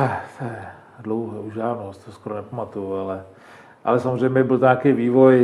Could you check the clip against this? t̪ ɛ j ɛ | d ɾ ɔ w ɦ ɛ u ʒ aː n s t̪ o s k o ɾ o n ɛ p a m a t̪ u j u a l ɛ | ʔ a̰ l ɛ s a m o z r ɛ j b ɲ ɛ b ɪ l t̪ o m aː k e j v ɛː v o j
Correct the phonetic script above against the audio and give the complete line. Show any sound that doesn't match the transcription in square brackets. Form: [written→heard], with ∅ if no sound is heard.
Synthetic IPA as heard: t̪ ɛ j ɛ | d [ɾ→l] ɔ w ɦ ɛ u ʒ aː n s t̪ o s k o ɾ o n ɛ p a m a t̪ u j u a l ɛ | ʔ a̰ l ɛ s a m o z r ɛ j [b→m] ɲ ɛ b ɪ l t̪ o [m→ɲ] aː k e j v [ɛː→iː] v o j